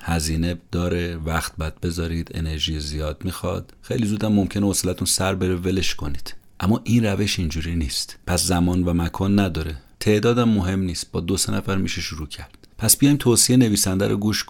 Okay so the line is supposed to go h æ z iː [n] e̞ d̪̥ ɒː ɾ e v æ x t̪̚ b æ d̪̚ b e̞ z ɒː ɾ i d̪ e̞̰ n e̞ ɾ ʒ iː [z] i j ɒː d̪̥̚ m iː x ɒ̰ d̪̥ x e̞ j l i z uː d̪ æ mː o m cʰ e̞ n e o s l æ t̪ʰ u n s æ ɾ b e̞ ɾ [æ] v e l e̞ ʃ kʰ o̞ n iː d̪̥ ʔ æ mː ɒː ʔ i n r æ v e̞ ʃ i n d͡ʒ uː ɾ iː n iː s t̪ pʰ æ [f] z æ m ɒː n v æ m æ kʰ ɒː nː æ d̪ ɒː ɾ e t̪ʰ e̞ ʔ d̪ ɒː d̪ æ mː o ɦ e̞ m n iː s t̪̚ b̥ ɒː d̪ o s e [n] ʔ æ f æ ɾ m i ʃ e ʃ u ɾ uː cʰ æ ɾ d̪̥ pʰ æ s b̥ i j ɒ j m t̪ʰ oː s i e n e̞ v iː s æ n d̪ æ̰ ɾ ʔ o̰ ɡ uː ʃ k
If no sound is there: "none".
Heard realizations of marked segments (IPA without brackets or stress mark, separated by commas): n, z, e, s, n